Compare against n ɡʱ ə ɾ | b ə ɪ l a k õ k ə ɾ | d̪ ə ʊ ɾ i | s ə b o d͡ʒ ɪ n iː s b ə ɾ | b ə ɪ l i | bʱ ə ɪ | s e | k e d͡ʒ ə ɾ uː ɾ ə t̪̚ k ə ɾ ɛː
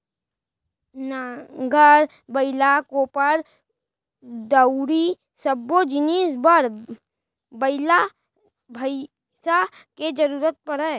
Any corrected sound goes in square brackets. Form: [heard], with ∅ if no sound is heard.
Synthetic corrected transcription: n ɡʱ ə ɾ | b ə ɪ l a k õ [p] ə ɾ | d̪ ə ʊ ɾ i | s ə b o d͡ʒ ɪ n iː s b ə ɾ | b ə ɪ l [a] | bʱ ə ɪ | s [a] | k e d͡ʒ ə ɾ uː ɾ ə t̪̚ [p] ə ɾ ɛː